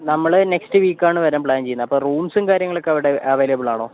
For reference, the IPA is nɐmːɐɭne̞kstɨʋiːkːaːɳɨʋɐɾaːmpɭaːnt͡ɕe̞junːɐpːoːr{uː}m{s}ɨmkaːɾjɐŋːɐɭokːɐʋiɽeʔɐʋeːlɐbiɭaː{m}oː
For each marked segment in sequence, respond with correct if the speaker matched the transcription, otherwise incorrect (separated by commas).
correct, correct, incorrect